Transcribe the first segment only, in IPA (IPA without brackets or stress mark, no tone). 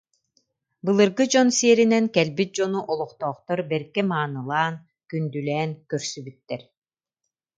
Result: b